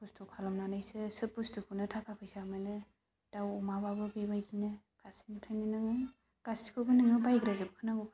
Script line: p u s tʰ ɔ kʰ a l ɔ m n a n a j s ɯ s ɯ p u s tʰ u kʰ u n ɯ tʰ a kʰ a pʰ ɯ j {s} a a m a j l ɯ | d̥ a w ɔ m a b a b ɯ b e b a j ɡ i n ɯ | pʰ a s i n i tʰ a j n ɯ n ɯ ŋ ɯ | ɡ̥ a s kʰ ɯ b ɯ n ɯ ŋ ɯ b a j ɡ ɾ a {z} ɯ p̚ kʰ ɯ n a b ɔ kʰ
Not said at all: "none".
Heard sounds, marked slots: s, z

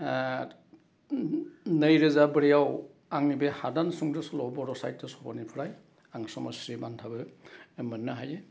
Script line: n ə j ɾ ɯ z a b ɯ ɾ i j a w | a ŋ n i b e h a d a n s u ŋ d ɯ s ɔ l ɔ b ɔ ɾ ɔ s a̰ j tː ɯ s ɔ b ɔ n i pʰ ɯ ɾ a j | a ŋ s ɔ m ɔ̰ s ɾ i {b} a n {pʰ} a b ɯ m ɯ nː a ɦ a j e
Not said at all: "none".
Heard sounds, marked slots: b, tʰ

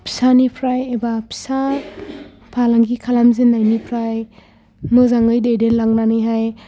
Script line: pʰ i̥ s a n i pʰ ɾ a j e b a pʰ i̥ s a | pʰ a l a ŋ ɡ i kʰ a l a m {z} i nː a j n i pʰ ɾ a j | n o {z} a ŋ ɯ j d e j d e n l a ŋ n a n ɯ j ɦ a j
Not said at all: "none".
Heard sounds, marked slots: z, z

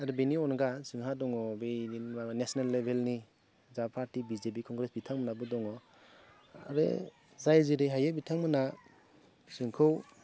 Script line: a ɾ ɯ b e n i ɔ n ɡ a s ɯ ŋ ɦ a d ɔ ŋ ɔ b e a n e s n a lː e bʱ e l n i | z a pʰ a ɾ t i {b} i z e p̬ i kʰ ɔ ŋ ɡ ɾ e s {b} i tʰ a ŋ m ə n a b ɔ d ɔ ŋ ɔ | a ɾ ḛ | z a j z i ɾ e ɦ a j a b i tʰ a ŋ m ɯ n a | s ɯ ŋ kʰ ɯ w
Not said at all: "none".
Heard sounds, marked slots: b, b

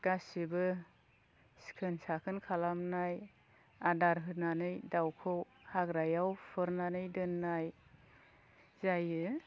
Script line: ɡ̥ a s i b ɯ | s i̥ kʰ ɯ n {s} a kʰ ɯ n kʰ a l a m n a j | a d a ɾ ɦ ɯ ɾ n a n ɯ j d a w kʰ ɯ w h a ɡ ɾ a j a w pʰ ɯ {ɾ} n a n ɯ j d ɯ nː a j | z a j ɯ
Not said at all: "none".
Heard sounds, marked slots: s, ɾ

